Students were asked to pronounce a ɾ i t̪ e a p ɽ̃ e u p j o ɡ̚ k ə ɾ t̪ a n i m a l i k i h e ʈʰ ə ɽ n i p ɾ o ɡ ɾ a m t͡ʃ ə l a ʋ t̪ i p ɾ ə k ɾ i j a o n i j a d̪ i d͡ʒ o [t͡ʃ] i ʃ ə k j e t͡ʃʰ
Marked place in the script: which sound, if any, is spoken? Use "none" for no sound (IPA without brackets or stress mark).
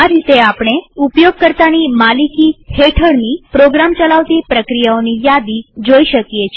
none